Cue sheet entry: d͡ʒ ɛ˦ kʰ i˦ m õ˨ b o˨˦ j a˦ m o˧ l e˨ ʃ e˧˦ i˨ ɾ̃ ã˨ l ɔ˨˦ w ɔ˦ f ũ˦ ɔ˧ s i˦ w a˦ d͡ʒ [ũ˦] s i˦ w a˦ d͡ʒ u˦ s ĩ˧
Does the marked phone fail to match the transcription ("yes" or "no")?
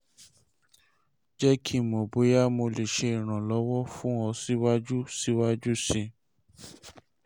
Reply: yes